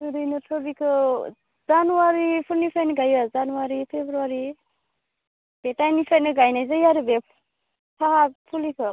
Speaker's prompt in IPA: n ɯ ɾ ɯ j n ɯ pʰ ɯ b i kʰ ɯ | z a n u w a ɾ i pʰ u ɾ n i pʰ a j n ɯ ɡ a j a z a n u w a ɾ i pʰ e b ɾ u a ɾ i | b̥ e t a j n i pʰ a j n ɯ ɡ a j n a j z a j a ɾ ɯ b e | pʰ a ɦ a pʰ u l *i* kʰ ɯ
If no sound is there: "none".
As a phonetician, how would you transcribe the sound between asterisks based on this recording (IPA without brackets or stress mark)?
i